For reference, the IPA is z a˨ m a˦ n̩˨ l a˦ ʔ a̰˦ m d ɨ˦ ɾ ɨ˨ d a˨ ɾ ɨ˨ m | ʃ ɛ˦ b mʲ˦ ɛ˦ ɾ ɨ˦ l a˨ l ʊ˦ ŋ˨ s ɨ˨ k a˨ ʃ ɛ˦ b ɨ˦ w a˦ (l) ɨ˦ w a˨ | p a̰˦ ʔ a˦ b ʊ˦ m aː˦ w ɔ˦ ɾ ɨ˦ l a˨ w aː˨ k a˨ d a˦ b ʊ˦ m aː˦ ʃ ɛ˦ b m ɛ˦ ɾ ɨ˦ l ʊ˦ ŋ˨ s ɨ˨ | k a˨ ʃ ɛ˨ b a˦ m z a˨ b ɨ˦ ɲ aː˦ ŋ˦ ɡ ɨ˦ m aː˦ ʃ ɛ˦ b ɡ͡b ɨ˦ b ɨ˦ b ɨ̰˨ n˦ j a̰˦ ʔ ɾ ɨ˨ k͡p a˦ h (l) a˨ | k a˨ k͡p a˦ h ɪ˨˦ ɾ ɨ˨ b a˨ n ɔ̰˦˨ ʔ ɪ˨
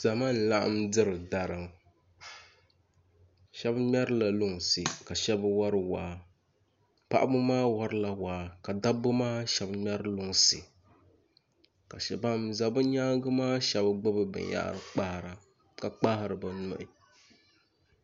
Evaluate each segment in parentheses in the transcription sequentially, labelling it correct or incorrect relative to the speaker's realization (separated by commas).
incorrect, incorrect